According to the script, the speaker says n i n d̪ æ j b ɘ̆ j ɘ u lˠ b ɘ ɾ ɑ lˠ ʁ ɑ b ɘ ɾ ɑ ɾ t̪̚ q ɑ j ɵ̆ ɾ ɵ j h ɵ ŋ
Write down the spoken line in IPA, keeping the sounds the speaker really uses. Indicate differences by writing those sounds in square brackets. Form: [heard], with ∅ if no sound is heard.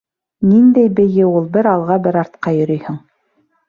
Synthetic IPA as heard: n i n d̪ æ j b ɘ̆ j ɘ u lˠ b ɘ ɾ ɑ lˠ ʁ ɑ b ɘ ɾ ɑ ɾ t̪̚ q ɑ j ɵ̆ ɾ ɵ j h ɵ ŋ